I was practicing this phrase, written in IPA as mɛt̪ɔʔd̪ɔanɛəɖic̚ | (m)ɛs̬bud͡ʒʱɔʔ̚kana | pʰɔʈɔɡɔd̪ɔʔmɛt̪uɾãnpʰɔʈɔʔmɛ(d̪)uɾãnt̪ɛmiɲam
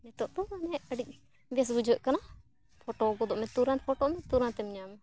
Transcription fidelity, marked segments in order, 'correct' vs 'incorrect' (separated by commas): incorrect, incorrect